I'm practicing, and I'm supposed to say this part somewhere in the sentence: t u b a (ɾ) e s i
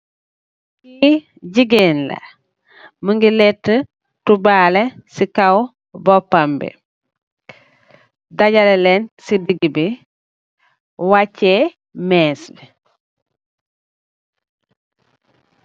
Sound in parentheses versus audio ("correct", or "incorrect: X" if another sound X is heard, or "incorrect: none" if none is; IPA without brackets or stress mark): incorrect: l